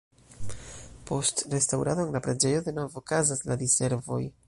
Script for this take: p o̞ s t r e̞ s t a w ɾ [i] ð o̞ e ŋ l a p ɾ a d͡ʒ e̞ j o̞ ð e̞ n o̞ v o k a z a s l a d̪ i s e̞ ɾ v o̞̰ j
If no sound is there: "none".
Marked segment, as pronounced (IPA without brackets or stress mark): a